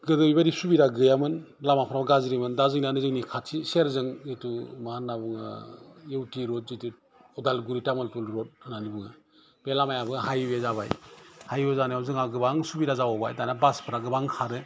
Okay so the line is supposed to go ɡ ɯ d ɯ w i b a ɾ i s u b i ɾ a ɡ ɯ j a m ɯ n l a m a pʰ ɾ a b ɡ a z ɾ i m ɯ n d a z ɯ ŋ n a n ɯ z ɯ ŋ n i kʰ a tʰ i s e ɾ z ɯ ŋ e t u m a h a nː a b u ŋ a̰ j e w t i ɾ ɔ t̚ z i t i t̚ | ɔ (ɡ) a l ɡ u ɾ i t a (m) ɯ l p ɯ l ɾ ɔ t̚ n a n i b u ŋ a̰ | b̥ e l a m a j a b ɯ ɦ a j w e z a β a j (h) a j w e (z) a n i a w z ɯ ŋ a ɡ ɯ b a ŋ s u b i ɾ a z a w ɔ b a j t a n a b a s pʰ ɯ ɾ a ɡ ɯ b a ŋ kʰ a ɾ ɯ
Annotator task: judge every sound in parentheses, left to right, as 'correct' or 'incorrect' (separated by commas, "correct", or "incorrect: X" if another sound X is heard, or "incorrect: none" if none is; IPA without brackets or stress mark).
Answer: incorrect: d, correct, correct, correct